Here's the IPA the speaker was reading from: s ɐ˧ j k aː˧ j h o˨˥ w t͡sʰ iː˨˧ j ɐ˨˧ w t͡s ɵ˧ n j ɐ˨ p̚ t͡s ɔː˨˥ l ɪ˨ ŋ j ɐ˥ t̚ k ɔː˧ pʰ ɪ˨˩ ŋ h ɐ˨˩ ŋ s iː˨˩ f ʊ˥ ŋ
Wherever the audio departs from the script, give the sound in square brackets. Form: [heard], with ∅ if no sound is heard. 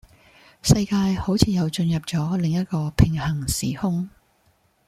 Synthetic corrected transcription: s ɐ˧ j k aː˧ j h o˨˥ w t͡sʰ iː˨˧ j ɐ˨˧ w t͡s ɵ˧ n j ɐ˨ p̚ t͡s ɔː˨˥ l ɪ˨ ŋ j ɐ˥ t̚ k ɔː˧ pʰ ɪ˨˩ ŋ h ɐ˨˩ ŋ s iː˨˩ [h] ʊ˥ ŋ